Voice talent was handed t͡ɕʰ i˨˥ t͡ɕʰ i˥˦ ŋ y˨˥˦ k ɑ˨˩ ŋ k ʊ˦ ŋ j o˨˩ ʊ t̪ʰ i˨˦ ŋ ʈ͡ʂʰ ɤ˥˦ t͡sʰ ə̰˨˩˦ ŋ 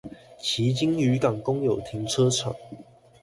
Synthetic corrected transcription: t͡ɕʰ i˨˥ t͡ɕ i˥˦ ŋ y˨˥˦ k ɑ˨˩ ŋ k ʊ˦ ŋ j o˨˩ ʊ t̪ʰ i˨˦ ŋ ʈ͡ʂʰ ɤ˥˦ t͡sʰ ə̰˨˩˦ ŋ